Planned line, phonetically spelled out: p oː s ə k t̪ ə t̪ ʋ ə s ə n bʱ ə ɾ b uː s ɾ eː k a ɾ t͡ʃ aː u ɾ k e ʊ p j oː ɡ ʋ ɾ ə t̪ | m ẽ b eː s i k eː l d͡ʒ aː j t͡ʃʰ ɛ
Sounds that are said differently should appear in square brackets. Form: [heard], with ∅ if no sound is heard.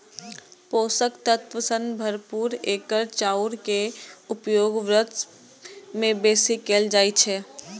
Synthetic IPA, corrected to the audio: p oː s ə k t̪ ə t̪ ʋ ə s ə n bʱ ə ɾ [p] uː [∅] ɾ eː k [ə] ɾ t͡ʃ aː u ɾ k e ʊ p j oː ɡ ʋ ɾ ə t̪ | m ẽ b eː s i k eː l d͡ʒ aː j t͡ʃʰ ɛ